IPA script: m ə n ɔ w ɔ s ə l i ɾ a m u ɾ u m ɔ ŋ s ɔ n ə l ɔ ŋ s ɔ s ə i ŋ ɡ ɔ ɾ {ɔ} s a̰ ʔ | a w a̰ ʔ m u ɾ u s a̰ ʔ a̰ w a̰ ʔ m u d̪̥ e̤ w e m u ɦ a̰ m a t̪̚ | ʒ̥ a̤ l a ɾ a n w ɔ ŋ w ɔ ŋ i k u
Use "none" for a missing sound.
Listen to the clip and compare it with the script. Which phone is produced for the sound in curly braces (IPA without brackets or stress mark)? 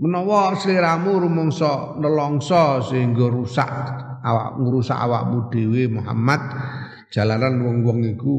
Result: u